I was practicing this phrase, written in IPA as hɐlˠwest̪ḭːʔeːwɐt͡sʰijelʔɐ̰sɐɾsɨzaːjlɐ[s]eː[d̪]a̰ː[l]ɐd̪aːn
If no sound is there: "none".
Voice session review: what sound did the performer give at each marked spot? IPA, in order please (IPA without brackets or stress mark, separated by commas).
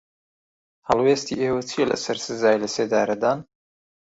s, d̪, ɾ